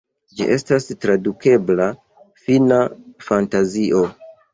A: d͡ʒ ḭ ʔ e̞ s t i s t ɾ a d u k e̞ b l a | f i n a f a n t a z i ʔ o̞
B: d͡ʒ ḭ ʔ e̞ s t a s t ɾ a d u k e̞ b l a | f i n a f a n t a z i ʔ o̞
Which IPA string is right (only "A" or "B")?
B